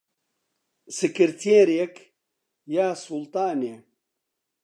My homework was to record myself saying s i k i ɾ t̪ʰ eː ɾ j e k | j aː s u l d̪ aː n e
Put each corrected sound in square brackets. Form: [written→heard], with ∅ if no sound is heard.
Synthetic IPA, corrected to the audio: s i k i ɾ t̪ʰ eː ɾ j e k | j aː s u l [d̪→t̪] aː n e